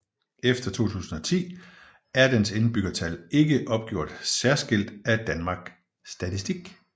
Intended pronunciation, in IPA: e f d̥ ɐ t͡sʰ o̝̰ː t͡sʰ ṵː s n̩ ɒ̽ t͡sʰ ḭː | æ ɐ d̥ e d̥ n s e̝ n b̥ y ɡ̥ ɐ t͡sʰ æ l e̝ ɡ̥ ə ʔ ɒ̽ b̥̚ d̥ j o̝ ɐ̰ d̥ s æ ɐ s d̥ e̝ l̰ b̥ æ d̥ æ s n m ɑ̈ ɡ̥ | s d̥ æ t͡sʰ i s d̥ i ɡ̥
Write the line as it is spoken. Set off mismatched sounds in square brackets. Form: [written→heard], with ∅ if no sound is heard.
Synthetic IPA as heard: e f d̥ ɐ t͡sʰ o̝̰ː t͡sʰ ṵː s n̩ ɒ̽ t͡sʰ ḭː | æ ɐ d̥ e [d̥→∅] n s e̝ n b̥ y ɡ̥ ɐ t͡sʰ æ l e̝ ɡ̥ ə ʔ ɒ̽ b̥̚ [d̥→ɡ̥] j o̝ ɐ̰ d̥ s æ ɐ s [d̥→ɡ̥] e̝ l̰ [b̥→d̥] æ d̥ æ [s→∅] n m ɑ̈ ɡ̥ | s d̥ æ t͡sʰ i s d̥ i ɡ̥